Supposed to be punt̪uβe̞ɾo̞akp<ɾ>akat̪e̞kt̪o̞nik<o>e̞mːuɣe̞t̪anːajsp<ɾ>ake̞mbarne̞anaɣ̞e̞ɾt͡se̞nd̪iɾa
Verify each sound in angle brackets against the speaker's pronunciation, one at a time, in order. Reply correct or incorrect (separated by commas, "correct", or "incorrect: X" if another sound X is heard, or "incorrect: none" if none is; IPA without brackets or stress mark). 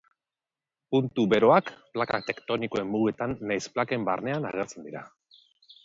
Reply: incorrect: l, correct, incorrect: l